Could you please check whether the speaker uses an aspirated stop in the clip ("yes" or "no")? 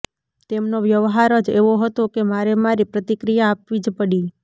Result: no